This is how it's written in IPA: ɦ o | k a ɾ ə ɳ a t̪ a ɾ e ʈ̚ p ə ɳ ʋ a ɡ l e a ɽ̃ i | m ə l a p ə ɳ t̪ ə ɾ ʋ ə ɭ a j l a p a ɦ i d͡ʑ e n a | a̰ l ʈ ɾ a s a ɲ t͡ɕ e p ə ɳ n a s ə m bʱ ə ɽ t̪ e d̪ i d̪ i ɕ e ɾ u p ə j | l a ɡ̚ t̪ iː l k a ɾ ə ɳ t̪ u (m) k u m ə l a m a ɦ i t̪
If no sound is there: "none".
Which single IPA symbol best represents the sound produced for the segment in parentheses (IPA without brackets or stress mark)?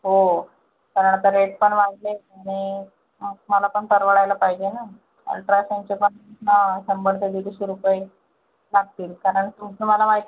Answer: m